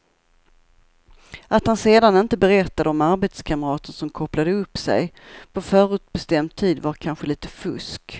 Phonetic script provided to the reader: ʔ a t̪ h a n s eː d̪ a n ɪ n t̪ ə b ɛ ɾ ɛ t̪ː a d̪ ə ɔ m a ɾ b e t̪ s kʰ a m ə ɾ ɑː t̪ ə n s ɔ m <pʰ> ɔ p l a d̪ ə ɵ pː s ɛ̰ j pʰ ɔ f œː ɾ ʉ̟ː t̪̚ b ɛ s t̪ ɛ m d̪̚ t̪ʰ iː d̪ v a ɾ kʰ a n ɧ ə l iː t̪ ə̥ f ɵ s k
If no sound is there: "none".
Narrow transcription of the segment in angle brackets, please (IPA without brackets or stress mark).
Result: kʰ